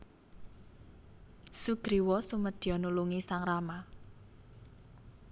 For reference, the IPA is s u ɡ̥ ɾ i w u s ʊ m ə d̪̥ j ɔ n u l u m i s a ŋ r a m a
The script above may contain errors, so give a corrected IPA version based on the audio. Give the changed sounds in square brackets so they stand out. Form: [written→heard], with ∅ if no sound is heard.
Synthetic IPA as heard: s u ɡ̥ ɾ i w [u→ɔ] s [ʊ→u] m ə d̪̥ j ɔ n u l u [m→ŋ] i s a ŋ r a m a